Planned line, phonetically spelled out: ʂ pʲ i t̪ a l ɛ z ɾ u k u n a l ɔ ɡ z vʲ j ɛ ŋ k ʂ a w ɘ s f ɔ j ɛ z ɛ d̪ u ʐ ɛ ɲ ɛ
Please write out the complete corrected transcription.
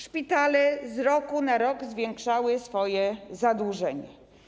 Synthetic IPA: ʂ pʲ i t̪ a l ɛ z ɾ ɔ k u n a ɾ ɔ ɡ z vʲ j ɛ ŋ k ʂ a w ɘ s f ɔ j ɛ z a d̪ u ʐ ɛ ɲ ɛ